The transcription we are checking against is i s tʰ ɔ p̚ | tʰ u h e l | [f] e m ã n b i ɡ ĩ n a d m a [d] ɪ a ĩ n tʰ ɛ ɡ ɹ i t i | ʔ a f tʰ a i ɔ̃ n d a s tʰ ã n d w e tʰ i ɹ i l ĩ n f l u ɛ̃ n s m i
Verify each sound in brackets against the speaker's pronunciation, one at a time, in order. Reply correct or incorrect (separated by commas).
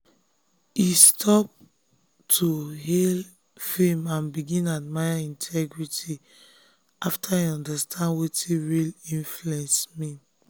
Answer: correct, incorrect